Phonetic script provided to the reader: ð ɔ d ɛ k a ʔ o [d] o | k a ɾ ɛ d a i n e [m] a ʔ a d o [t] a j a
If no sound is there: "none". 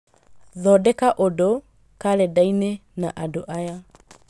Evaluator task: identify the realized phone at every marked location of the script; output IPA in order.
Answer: d, n, ʔ

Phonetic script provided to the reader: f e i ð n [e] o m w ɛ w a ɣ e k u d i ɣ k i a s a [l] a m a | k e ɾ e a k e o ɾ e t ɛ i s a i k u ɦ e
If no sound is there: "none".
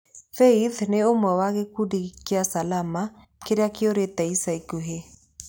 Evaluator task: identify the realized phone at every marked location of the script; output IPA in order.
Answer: e, l

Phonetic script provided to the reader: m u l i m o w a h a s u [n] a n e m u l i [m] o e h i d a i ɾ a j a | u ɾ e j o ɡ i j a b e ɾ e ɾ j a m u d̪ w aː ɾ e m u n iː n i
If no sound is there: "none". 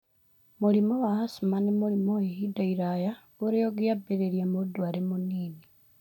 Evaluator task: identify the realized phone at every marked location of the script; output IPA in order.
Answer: m, m

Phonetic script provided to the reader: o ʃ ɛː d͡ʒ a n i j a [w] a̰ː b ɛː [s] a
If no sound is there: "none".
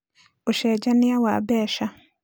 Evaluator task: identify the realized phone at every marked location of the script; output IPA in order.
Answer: w, ʃ

